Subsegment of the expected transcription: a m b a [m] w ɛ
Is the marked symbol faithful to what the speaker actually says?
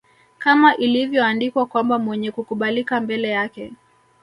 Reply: yes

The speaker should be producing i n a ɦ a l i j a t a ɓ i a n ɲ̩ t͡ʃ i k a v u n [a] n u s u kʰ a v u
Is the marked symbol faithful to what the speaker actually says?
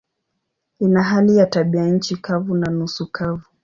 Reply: yes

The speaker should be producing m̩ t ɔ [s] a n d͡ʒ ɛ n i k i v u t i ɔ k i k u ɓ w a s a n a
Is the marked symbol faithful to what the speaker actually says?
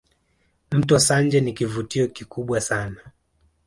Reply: yes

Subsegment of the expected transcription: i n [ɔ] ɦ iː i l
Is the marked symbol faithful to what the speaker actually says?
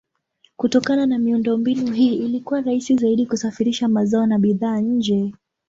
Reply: no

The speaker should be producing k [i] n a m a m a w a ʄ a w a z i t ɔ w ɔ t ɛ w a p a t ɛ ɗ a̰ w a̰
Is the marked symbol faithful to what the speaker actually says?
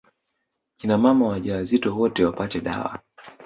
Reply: yes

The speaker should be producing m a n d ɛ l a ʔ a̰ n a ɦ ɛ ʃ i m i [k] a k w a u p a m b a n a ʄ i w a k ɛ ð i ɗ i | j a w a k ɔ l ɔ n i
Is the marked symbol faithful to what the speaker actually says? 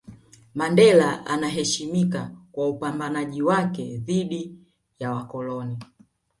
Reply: yes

